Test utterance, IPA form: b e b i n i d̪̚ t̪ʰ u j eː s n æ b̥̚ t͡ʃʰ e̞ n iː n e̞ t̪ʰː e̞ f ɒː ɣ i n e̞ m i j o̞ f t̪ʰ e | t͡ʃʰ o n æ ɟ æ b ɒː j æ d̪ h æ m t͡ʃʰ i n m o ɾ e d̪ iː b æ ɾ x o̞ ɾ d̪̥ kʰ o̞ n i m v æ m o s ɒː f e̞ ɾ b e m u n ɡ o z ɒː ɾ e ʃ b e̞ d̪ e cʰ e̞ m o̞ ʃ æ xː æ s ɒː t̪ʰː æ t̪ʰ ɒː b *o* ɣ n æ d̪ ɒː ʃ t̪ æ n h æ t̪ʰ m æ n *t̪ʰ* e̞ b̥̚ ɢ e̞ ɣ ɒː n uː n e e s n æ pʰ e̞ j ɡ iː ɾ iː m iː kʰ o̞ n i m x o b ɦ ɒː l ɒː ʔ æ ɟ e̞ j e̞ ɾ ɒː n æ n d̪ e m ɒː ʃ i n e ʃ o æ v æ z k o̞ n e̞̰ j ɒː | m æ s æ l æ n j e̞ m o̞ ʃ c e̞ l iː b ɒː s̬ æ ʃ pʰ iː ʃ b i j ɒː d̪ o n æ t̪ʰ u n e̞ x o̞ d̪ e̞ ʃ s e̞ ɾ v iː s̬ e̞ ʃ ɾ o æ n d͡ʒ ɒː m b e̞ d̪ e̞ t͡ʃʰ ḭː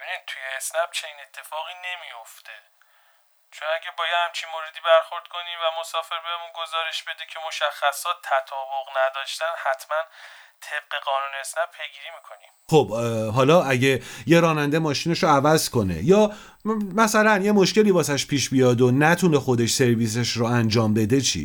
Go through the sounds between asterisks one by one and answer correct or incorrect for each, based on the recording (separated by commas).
correct, correct